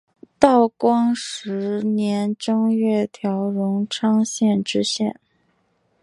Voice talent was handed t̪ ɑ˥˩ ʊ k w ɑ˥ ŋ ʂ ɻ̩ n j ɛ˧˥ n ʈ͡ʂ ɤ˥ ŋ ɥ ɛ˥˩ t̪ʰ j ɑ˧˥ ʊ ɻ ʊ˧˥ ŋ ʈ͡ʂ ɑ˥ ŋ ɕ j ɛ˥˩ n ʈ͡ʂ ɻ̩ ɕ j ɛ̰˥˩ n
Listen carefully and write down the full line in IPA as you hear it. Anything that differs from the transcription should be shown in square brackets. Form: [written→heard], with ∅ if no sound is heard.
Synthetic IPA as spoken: t̪ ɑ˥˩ ʊ k w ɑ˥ ŋ ʂ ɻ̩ n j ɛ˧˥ n ʈ͡ʂ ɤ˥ ŋ ɥ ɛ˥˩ t̪ʰ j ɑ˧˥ ʊ ɻ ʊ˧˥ ŋ [ʈ͡ʂ→ʈ͡ʂʰ] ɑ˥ ŋ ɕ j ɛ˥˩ n ʈ͡ʂ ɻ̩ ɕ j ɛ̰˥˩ n